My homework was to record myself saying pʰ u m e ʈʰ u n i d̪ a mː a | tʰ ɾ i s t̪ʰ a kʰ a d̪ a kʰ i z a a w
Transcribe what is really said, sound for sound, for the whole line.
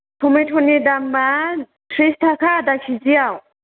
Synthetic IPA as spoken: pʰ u m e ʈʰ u n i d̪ a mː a | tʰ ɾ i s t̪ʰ a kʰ a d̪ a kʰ i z i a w